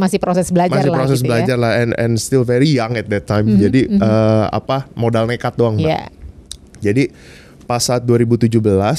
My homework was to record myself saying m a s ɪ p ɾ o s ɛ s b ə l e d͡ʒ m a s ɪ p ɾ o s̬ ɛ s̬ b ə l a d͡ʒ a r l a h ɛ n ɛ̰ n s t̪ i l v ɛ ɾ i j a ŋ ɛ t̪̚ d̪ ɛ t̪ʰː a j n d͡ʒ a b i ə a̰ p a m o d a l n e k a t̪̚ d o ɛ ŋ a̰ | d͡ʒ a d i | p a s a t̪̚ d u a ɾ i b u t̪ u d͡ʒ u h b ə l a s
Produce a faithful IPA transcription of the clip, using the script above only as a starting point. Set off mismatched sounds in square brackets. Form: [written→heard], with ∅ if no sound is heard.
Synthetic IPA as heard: m a s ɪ p ɾ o s ɛ s b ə l [e→a] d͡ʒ m a s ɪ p ɾ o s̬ ɛ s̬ b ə l a d͡ʒ a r l a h ɛ n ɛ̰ n s t̪ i l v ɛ ɾ i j a ŋ ɛ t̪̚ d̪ ɛ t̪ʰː a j [n→m] d͡ʒ a [b→d] i ə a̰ p a m o d a l n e k a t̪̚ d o [ɛ→a] ŋ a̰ | d͡ʒ a d i | p a s a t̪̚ d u a ɾ i b u t̪ u d͡ʒ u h b ə l a s